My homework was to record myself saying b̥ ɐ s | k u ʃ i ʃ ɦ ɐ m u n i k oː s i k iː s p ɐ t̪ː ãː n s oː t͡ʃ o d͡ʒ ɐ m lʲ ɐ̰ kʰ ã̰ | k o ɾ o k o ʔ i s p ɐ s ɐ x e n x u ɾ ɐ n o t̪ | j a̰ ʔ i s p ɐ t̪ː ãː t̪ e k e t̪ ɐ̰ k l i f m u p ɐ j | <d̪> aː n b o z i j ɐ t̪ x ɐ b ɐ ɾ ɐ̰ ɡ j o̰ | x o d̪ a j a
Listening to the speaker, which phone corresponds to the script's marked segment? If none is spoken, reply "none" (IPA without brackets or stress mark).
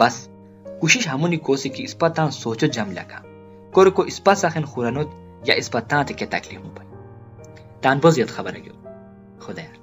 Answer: t̪